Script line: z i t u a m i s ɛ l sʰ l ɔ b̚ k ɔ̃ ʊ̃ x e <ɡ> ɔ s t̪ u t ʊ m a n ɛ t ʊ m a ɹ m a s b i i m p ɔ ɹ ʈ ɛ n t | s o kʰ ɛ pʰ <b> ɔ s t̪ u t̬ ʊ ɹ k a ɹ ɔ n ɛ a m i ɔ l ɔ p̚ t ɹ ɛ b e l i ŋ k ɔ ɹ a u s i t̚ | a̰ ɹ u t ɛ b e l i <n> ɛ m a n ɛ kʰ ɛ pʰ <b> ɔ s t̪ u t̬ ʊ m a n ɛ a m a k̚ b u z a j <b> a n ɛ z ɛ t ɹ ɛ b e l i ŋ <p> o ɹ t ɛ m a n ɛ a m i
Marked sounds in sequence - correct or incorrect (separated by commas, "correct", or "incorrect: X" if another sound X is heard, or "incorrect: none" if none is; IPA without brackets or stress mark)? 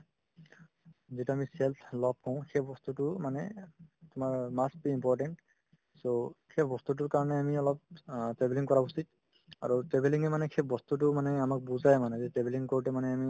incorrect: b, correct, incorrect: ŋ, correct, incorrect: m, incorrect: k